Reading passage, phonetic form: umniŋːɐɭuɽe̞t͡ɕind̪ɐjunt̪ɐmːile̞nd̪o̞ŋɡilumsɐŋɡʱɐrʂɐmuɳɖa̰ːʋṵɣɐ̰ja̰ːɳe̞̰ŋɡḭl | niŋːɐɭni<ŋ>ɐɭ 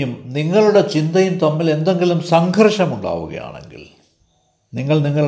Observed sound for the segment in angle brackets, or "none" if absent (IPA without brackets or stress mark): ŋː